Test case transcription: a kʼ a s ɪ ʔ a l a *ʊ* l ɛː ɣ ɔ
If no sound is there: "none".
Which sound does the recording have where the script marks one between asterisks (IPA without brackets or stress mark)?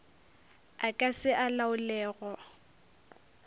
ʊ